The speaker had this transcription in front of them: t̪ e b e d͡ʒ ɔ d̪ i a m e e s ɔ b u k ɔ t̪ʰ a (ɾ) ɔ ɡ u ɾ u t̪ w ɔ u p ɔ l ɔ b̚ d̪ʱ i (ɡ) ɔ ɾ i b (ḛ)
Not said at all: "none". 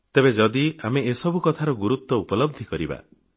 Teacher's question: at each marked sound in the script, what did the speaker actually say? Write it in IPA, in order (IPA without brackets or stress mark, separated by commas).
ɾ, k, a̰